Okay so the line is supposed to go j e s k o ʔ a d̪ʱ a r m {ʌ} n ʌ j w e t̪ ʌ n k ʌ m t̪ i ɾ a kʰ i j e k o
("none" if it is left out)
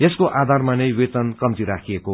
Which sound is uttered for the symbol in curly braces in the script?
a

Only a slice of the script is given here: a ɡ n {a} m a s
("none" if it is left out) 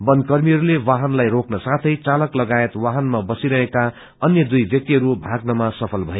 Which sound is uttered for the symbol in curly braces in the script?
ʌ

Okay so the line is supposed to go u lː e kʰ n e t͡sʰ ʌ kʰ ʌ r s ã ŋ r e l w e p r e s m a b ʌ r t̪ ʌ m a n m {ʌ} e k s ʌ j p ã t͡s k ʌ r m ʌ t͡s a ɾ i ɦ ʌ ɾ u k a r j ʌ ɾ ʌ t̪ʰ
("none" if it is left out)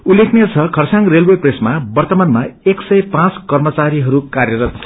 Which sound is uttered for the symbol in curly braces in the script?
a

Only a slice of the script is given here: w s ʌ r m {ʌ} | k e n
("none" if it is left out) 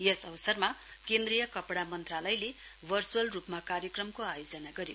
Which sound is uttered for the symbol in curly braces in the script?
a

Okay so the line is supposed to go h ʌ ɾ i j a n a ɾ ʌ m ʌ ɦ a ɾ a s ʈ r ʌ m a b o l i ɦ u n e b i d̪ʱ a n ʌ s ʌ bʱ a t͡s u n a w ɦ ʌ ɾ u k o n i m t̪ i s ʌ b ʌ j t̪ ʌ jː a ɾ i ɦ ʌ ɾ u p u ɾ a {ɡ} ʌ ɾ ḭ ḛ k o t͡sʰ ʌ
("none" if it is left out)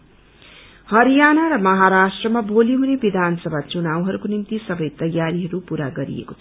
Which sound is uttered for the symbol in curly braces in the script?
ɡ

